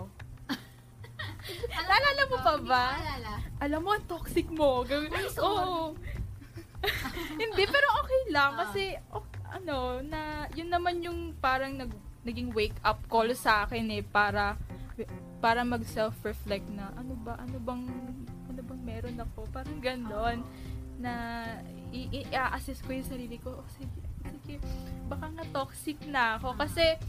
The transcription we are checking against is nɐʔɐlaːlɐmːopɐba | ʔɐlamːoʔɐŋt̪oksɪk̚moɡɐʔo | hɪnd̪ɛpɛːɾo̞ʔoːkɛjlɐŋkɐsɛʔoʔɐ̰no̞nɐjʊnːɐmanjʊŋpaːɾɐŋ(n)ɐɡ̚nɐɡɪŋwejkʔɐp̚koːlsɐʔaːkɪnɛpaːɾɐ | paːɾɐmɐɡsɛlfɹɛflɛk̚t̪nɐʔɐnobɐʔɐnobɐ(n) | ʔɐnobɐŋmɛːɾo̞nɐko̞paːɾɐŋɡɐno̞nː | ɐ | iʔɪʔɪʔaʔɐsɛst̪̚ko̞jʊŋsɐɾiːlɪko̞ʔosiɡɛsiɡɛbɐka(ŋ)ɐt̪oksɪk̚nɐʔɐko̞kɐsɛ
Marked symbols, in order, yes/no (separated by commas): yes, no, yes